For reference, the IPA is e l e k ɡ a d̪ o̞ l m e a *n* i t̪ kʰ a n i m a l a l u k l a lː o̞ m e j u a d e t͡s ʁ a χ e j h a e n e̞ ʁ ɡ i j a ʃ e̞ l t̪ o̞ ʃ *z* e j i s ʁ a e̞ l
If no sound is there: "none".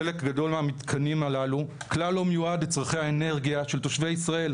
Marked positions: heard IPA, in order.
m, v

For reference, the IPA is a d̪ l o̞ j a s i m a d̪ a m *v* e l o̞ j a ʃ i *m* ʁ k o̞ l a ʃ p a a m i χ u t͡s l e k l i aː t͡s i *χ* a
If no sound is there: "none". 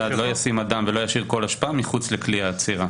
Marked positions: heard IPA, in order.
v, none, ʁ

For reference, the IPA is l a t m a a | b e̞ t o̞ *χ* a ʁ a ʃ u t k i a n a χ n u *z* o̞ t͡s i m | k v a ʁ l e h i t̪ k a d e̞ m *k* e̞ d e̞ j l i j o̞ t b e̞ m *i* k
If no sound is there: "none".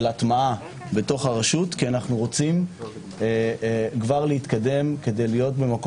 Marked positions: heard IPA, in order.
χ, ʁ, k, a

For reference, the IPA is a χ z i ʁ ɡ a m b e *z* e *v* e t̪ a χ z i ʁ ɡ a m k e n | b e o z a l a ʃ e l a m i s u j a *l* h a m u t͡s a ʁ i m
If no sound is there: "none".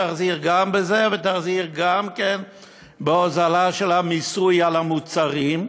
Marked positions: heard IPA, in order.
z, v, l

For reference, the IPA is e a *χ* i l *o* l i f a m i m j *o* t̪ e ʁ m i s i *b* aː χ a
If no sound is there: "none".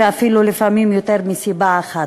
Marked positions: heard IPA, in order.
f, u, o, b

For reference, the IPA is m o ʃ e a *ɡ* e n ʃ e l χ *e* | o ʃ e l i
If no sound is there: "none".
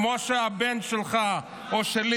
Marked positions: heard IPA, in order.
b, a

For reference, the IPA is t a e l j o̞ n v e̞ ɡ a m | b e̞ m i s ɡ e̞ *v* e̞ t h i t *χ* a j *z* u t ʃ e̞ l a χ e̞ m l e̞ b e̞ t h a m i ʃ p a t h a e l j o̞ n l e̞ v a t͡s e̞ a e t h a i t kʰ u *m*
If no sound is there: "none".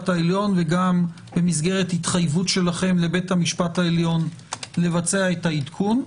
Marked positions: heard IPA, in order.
ʁ, χ, v, n

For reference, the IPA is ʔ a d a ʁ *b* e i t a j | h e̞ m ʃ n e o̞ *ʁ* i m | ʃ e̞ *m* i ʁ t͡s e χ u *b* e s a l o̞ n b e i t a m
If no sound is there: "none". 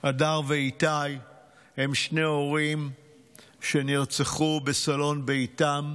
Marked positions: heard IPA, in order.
v, ʁ, n, b

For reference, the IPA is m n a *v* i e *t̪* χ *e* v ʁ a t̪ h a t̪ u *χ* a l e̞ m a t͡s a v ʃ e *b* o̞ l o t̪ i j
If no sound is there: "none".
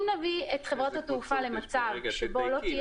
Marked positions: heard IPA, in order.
v, t̪, e, f, b

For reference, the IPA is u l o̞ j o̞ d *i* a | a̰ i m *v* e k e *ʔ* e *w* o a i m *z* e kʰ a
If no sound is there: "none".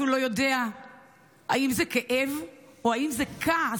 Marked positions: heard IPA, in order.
e, z, ʔ, v, z

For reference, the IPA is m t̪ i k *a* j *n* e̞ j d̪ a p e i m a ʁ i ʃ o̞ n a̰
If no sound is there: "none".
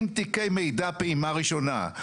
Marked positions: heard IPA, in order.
e, m

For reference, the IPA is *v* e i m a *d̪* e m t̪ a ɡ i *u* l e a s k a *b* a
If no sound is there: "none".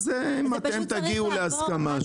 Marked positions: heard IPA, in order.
z, t̪, u, m

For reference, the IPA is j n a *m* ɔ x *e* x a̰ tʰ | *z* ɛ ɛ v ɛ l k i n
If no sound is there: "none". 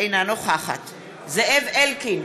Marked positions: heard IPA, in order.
n, a, z

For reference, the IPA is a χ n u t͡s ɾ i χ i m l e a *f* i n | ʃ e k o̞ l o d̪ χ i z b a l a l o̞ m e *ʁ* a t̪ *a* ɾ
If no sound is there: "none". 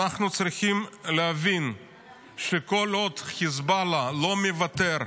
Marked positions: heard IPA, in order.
v, v, e

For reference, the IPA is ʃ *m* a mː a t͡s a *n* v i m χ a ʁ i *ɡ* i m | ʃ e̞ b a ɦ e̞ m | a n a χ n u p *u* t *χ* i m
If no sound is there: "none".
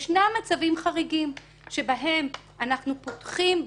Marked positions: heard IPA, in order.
n, none, ɡ, o, χ

